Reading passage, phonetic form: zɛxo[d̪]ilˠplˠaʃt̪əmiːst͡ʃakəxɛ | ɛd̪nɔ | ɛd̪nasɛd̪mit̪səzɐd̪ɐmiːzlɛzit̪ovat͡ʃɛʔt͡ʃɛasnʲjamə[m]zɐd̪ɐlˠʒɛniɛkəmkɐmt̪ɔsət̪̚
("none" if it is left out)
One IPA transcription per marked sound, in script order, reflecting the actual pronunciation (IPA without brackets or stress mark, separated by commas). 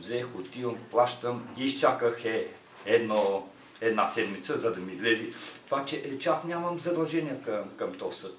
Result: t̪, m